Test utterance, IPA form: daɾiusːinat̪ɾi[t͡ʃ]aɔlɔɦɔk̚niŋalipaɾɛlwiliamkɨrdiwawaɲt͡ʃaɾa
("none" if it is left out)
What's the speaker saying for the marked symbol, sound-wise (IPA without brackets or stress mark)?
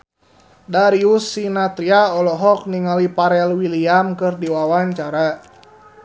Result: none